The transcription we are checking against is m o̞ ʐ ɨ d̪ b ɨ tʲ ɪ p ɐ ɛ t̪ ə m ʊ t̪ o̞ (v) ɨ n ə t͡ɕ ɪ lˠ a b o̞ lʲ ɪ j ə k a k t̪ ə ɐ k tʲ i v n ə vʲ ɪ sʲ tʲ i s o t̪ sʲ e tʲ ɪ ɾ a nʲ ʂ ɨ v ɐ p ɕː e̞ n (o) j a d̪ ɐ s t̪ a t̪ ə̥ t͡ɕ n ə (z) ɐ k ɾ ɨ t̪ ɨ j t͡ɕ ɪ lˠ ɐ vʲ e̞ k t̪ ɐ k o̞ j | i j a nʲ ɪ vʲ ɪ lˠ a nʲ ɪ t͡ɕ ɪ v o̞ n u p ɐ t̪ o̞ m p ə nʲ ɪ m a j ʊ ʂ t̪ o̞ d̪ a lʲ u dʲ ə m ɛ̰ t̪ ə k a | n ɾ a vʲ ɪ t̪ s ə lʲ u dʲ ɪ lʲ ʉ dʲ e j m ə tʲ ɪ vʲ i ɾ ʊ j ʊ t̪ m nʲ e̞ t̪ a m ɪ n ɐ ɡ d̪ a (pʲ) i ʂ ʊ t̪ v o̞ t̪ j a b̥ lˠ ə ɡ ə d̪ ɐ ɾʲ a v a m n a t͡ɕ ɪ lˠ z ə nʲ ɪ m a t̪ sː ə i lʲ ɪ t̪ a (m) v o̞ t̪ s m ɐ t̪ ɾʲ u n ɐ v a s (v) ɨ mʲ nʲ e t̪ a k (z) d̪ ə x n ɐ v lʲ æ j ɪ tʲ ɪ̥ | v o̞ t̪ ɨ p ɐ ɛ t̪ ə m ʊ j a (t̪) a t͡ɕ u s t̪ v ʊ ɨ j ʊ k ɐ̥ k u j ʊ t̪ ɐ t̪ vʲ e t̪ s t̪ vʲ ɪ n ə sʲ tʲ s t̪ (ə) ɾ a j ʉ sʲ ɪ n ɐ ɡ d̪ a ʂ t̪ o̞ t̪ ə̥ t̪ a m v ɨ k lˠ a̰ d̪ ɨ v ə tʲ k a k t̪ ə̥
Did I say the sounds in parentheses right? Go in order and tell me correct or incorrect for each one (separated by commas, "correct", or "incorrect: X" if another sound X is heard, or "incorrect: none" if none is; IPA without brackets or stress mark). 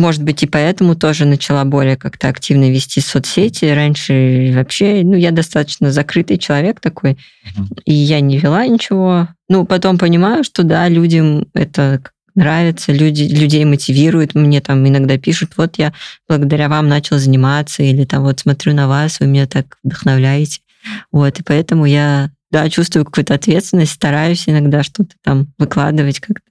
incorrect: ʐ, incorrect: u, correct, correct, correct, correct, incorrect: v, incorrect: d̪, incorrect: ɐ